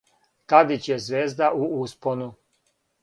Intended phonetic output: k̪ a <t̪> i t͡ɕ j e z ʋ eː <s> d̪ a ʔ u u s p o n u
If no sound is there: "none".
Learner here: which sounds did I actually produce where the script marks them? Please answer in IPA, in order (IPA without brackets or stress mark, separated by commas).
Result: d̪, z